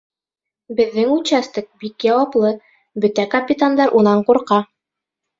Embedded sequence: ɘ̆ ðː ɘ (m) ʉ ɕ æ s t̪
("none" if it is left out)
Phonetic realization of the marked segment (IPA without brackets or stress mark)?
ŋ